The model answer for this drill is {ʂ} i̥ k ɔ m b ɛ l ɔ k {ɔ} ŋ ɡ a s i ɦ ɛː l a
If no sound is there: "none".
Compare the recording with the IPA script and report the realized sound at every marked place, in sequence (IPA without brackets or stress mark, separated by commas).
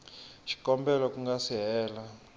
ʃ, u